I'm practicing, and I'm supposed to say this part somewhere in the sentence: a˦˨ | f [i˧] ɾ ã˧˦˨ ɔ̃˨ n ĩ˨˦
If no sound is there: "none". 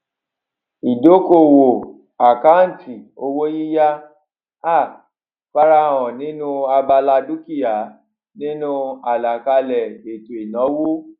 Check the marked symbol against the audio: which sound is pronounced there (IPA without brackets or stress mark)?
a˧